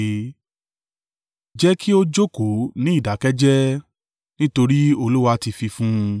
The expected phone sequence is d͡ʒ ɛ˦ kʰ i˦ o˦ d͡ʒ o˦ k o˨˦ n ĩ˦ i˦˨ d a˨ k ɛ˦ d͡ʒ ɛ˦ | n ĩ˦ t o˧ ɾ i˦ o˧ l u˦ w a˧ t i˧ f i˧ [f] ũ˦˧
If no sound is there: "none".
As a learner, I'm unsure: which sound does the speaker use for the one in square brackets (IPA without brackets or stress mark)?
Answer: f